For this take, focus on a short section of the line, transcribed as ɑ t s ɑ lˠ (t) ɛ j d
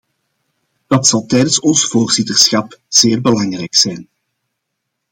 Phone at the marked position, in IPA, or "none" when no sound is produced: t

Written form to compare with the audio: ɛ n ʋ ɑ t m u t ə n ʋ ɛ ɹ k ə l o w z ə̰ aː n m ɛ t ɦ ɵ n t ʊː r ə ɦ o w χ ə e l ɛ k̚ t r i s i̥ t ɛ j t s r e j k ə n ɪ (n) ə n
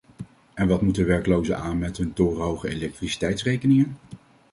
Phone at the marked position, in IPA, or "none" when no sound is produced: ŋ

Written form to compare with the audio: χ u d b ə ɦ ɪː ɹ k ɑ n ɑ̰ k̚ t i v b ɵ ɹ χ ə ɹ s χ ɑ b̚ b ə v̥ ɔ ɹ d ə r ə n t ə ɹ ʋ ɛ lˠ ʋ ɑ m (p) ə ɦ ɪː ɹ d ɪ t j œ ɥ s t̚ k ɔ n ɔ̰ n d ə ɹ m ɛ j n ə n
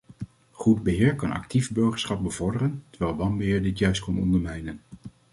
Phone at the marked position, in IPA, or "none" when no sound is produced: b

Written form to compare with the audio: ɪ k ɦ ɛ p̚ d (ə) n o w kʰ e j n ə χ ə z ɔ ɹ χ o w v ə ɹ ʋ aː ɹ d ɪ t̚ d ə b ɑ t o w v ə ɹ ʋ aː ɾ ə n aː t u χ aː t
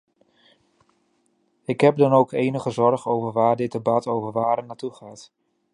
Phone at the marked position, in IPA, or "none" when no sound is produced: ɑ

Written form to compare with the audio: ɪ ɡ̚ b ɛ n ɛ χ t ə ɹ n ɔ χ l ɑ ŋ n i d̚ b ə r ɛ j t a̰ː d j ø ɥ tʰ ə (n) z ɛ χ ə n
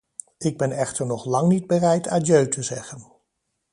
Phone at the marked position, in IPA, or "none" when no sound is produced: none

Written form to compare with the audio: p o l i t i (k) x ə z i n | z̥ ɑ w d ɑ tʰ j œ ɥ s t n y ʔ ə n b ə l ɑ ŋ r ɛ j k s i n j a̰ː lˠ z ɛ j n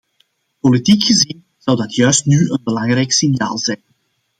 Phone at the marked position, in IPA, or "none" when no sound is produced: k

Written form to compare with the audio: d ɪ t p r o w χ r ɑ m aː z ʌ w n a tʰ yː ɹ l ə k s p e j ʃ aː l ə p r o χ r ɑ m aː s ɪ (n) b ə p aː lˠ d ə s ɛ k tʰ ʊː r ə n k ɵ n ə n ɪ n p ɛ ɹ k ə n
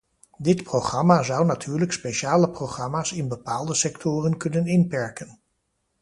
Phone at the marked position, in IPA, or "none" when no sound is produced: n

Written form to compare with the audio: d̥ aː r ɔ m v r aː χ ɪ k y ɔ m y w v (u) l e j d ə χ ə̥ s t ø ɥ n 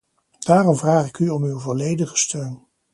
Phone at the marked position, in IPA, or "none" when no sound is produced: ɔ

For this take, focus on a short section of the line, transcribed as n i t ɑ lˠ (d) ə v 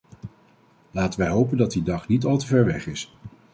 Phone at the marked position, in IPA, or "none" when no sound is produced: t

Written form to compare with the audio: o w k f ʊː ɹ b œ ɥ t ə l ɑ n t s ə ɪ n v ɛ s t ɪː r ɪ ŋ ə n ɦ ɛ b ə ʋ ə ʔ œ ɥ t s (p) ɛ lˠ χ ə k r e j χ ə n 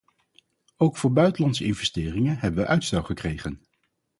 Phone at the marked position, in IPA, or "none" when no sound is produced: t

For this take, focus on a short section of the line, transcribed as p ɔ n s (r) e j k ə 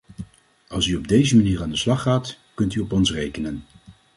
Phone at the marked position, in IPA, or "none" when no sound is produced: r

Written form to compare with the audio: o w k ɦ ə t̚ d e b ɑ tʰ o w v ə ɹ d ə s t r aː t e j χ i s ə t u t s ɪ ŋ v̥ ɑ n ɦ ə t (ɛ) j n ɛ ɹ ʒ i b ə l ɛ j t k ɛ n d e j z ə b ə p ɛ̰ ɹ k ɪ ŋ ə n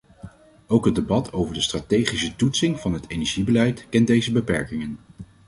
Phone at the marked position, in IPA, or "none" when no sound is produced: e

